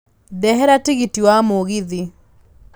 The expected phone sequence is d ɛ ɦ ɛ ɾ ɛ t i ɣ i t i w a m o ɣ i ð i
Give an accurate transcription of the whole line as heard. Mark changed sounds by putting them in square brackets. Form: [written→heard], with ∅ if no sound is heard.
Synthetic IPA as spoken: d ɛ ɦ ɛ ɾ [ɛ→a] t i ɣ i t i w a m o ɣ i ð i